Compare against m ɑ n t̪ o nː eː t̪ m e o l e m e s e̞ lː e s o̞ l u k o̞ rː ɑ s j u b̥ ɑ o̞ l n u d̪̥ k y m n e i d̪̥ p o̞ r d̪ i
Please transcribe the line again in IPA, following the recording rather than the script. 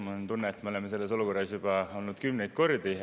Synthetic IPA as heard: m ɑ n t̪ u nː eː t̪ m e o l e m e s e̞ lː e s o̞ l u k o̞ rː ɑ s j u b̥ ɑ o̞ l n u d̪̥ k y m n e j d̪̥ k o̞ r d̪ i